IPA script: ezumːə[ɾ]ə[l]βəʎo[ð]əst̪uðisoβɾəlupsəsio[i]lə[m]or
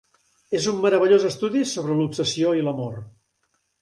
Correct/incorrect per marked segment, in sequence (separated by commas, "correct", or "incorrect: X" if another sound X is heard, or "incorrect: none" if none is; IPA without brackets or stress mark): correct, incorrect: none, incorrect: z, correct, correct